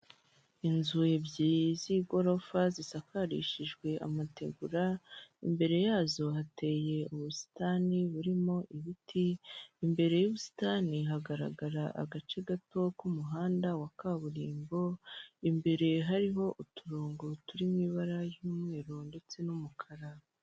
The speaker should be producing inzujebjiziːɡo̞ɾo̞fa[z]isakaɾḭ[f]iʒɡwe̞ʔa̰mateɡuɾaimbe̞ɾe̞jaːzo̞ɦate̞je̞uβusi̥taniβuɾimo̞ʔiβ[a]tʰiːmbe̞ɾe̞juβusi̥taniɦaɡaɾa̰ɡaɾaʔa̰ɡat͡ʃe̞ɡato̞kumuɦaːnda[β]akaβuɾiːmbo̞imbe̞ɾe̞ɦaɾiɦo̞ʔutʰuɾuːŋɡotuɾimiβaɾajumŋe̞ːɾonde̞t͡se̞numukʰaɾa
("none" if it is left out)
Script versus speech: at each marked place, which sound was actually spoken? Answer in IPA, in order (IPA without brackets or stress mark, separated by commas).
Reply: z, ʃ, i, w